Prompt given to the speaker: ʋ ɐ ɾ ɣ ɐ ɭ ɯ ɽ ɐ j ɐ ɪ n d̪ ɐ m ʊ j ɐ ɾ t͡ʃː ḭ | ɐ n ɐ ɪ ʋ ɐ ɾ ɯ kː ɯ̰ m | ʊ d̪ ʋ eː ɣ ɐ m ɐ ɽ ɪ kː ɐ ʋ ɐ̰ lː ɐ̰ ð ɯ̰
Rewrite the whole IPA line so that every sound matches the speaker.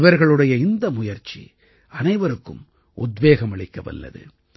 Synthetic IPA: ʋ ɐ ɾ ɣ ɐ ɭ ɯ ɽ ɐ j ɐ ɪ n d̪ ɐ m ʊ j ɐ ɾ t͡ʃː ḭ | ɐ n ɐ ɪ ʋ ɐ ɾ ɯ kː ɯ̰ m | ʊ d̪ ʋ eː ɣ ɐ m ɐ ɭ ɪ kː ɐ ʋ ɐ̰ lː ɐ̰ ð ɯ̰

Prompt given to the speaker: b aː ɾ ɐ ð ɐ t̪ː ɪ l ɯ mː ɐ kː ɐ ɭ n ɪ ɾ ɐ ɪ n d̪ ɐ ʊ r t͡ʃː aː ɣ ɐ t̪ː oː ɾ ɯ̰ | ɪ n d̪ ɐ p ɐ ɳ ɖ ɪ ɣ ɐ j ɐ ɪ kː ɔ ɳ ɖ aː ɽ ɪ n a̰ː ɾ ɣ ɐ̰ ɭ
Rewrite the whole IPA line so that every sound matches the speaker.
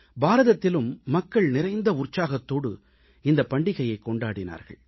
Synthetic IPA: b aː ɾ ɐ ð ɐ t̪ː ɪ l ɯ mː ɐ kː ɐ ɭ n ɪ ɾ ɐ ɪ n d̪ ɐ ʊ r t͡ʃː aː ɣ ɐ t̪ː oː ɽ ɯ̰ | ɪ n d̪ ɐ p ɐ ɳ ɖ ɪ ɣ ɐ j ɐ ɪ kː ɔ ɳ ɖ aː ɽ ɪ n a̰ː ɾ ɣ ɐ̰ ɭ

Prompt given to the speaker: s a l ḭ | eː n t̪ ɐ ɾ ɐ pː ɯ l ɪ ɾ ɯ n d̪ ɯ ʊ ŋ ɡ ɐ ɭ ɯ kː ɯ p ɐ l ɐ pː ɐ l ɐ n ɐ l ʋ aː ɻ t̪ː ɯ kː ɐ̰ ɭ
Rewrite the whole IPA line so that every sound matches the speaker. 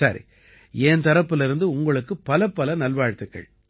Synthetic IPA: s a ɾ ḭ | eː n t̪ ɐ ɾ ɐ pː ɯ l ɪ ɾ ɯ n d̪ ɯ ʊ ŋ ɡ ɐ ɭ ɯ kː ɯ p ɐ l ɐ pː ɐ l ɐ n ɐ l ʋ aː ɻ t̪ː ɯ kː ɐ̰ ɭ

